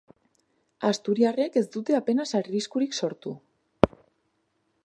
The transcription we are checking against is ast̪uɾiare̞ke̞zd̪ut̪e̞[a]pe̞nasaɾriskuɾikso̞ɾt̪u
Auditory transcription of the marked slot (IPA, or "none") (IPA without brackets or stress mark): a